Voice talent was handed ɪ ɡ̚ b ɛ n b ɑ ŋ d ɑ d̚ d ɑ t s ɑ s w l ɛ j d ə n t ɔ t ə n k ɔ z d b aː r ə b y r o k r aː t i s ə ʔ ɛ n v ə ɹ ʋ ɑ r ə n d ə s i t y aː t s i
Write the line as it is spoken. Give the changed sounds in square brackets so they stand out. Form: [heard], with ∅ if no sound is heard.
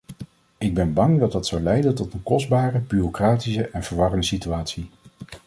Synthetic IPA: ɪ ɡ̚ b ɛ n b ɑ ŋ d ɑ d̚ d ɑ t s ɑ [∅] w l ɛ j d ə n t ɔ t ə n k ɔ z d b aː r ə b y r o k r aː t i s ə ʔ ɛ n v ə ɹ ʋ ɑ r ə n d ə s i t y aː t s i